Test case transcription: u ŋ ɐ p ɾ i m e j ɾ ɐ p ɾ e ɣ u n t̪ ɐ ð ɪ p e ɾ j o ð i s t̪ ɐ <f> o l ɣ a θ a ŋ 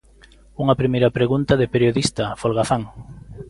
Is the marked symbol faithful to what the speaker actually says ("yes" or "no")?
yes